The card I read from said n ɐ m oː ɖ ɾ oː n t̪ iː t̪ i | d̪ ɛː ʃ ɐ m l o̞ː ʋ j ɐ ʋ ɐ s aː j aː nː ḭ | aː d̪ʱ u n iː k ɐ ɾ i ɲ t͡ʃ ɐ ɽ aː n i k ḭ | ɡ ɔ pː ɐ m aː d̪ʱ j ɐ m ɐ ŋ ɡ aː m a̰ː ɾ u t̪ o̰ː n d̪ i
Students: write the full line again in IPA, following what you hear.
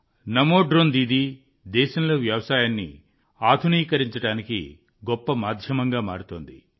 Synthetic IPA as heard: n ɐ m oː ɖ ɾ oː n d̪ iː d̪ i | d̪ ɛː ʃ ɐ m l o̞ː ʋ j ɐ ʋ ɐ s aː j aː nː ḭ | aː d̪ʱ u n iː k ɐ ɾ i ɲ t͡ʃ ɐ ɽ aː n i k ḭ | ɡ ɔ pː ɐ m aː d̪ʱ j ɐ m ɐ ŋ ɡ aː m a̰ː ɾ u t̪ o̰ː n d̪ i